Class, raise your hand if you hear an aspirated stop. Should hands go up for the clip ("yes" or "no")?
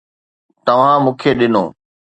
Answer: yes